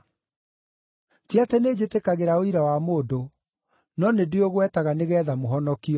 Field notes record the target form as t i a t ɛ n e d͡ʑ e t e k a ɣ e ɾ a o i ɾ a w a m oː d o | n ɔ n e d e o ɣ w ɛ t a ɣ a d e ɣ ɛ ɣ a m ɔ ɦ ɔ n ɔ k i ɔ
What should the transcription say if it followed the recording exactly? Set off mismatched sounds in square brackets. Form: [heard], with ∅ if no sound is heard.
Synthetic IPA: t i a t ɛ n e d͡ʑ e t e k a ɣ e ɾ a o i ɾ a w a m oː d o | n ɔ n e d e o ɣ w ɛ t a ɣ a [n] e ɣ ɛ [ð] a m [o] ɦ ɔ n ɔ k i ɔ